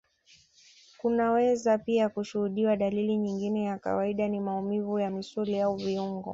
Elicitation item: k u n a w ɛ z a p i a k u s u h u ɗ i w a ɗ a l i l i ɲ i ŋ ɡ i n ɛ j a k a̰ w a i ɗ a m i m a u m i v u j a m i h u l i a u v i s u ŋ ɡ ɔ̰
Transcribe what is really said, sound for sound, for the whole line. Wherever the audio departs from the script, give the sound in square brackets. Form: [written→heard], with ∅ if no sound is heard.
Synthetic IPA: k u n a w ɛ z a p i a k u [s→ʃ] u h u ɗ i w a ɗ a l i l i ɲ i ŋ ɡ i n ɛ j a k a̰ w a i ɗ a [m→n] i m a u m i v u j a m i [h→s] u l i a u v i [s→∅] u ŋ ɡ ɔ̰

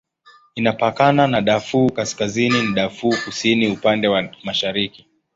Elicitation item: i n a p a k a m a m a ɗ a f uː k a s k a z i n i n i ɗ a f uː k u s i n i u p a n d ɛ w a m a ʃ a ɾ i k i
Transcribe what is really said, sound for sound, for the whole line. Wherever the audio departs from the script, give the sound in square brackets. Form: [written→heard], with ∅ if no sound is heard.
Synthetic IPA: i n a p a k a [m→n] a [m→n] a ɗ a f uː k a s k a z i n i n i ɗ a f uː k u s i n i u p a n d ɛ w a m a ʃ a ɾ i k i

